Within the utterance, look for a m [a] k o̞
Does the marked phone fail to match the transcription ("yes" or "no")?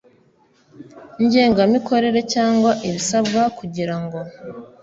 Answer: yes